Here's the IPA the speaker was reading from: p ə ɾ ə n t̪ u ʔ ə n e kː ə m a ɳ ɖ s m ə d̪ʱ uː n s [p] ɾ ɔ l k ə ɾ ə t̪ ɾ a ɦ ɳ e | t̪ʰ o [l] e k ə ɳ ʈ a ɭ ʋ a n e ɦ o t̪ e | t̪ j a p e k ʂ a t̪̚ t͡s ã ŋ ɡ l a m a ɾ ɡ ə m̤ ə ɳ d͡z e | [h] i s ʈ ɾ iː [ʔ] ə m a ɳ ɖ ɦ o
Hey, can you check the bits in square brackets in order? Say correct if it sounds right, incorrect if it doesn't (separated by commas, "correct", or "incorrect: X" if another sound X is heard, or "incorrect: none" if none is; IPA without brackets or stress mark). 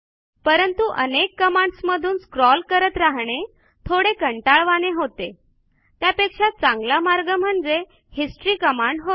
incorrect: k, incorrect: ɽ, correct, incorrect: k